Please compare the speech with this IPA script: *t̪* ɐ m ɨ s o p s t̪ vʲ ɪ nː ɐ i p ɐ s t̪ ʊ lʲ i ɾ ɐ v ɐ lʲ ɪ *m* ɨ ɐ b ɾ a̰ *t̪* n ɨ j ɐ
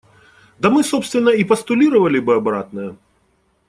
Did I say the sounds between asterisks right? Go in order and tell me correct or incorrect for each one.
incorrect: d̪, incorrect: b, correct

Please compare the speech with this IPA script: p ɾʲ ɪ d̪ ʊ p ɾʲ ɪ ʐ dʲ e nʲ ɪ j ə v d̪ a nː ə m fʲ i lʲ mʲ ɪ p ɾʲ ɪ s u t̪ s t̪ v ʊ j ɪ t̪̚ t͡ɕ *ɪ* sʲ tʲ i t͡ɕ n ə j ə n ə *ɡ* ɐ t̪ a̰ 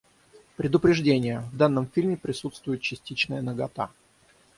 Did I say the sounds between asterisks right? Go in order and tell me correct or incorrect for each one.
correct, correct

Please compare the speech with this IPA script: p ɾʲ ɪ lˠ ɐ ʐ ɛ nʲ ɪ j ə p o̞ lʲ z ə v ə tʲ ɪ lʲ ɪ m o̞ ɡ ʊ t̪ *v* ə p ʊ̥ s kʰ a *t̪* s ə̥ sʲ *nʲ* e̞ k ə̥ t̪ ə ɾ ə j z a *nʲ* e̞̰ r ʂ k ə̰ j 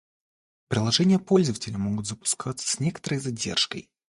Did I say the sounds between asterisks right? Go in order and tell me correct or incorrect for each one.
incorrect: z, correct, correct, incorrect: dʲ

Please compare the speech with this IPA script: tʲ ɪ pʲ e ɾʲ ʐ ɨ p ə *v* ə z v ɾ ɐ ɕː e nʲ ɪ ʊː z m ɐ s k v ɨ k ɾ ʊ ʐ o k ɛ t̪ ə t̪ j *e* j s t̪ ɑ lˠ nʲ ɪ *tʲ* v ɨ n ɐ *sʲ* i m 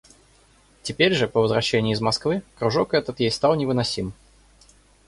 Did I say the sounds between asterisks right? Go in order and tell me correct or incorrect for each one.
correct, correct, incorrect: none, correct

